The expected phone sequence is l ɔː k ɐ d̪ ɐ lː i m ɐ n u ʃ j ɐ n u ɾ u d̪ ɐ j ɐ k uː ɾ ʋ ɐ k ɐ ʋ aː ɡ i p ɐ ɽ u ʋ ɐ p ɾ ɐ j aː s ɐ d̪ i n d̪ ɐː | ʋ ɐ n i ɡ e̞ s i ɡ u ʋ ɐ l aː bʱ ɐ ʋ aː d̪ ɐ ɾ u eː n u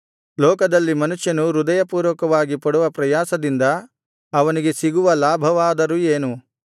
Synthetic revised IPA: l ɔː k ɐ d̪ ɐ lː i m ɐ n u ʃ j ɐ n u ɾ u d̪ ɐ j ɐ p uː ɾ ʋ ɐ k ɐ ʋ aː ɡ i p ɐ ɽ u ʋ ɐ p ɾ ɐ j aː s ɐ d̪ i n d̪ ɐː | ʋ ɐ n i ɡ e̞ s i ɡ u ʋ ɐ l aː bʱ ɐ ʋ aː d̪ ɐ ɾ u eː n u